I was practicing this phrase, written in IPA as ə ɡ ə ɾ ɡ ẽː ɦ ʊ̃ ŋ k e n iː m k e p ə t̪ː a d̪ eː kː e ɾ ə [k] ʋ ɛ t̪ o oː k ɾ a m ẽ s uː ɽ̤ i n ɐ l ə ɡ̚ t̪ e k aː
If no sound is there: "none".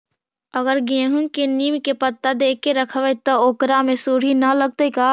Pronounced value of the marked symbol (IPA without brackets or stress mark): kʰ